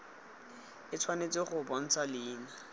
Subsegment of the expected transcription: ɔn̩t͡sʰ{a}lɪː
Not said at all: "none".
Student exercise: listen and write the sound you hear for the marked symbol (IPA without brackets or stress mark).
a